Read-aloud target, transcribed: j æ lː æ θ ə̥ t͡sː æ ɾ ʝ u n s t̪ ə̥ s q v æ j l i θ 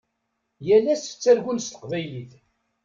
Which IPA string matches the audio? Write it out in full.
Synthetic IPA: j æ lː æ s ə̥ t͡sː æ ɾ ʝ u n s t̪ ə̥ q v æ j l i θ